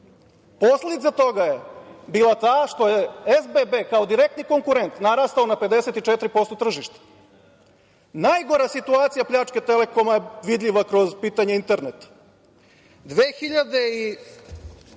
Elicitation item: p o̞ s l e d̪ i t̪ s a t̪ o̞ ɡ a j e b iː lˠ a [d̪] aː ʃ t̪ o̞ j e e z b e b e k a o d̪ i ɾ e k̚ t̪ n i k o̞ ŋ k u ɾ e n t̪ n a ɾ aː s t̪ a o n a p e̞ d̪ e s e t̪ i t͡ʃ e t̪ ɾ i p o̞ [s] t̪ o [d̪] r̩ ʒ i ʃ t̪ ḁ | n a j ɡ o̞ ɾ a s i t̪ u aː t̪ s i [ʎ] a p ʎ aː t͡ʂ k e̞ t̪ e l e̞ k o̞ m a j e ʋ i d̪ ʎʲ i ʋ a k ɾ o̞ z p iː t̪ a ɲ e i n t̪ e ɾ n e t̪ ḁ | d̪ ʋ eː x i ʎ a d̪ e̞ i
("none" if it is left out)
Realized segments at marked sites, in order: t̪, s, t̪, j

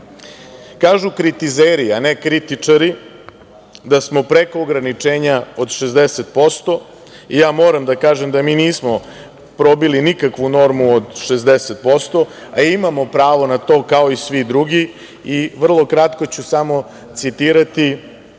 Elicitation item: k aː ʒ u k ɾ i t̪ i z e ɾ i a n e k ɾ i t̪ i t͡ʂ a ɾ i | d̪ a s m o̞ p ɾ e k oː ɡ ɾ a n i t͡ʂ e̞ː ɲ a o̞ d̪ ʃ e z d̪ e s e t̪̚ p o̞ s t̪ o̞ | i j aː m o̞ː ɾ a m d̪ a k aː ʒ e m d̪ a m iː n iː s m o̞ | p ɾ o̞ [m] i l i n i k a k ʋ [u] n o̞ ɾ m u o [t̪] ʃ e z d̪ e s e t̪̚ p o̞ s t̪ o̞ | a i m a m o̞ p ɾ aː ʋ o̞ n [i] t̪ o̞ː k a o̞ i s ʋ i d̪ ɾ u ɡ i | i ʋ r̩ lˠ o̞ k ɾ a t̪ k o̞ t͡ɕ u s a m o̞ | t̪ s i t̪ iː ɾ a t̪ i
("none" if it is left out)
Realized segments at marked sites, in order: b, u, d̪, a

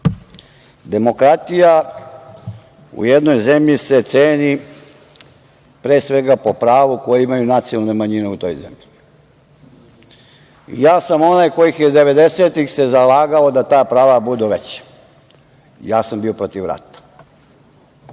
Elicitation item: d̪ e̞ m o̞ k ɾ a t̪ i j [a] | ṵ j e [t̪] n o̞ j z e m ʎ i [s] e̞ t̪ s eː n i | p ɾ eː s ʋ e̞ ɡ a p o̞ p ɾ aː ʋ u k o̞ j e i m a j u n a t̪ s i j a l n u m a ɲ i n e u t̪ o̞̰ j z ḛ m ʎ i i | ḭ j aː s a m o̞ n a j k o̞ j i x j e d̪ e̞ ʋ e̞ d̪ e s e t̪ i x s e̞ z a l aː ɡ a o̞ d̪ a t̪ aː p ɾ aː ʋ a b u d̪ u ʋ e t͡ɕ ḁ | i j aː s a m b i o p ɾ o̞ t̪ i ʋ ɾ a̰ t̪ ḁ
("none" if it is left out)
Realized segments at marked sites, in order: a, d̪, s

